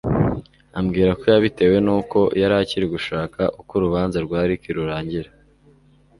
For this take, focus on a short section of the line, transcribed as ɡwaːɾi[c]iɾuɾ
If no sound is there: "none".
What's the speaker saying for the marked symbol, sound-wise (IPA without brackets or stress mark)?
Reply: k